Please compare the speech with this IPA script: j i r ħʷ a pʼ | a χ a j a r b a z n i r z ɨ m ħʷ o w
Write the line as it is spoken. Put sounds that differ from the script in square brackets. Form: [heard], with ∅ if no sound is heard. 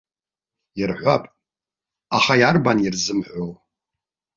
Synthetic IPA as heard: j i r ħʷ a pʼ | a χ a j a r b a [∅] n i r z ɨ m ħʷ o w